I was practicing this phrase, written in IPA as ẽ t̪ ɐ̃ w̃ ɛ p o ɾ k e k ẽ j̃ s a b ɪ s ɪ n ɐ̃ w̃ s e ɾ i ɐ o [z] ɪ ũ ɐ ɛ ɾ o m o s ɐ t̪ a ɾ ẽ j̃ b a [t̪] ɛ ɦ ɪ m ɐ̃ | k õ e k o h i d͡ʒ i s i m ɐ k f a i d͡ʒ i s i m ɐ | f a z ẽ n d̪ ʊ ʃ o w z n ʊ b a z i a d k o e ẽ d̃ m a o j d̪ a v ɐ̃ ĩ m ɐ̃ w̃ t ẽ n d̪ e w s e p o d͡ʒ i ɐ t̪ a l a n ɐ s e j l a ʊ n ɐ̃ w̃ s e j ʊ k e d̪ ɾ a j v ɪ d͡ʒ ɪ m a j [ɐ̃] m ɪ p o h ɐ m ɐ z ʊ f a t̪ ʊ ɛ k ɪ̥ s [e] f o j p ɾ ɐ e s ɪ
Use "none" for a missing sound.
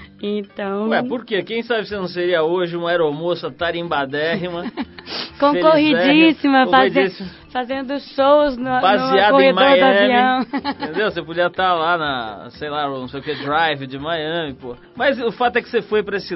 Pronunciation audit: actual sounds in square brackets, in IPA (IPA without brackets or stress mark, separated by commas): ʒ, d̪, ɐ̃, e